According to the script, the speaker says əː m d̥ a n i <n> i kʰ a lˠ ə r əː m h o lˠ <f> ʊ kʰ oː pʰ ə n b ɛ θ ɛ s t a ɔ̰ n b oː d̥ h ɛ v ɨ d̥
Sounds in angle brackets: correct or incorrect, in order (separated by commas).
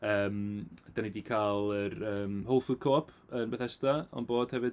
incorrect, correct